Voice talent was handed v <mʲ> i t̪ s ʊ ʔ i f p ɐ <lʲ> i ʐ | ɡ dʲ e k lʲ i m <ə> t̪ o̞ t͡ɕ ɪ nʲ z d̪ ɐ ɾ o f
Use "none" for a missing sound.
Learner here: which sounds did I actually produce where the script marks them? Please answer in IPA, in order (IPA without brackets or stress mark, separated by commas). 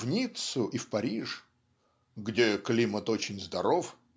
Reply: nʲ, ɾʲ, ə